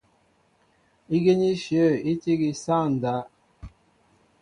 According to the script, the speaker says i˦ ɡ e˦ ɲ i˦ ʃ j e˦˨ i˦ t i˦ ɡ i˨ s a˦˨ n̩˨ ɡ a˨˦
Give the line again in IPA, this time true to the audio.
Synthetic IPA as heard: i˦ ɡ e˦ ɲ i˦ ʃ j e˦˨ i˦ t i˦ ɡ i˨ s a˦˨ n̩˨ d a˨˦